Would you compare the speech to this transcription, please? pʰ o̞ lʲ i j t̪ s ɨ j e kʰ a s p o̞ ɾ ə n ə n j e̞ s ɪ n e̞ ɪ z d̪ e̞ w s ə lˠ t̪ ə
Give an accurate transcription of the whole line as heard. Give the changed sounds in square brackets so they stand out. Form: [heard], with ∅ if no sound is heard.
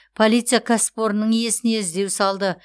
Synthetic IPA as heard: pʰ o̞ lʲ i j t̪ s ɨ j [a] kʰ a s p o̞ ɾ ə n ə [ɴ] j e̞ s ɪ n e̞ ɪ z d̪ e̞ w s [ɑ] lˠ [d̪] ə